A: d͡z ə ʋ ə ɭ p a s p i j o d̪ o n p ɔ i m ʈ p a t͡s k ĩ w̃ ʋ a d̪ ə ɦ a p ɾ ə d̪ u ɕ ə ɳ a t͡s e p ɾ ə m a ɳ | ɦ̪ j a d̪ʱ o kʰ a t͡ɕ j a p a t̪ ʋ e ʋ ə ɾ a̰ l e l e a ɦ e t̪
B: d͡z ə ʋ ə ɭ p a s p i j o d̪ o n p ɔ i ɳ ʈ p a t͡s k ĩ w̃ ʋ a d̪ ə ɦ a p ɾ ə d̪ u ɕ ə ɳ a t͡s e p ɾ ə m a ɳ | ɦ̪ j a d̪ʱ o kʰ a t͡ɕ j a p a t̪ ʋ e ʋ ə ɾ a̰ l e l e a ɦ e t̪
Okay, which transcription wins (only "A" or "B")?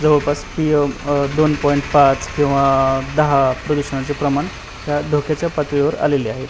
B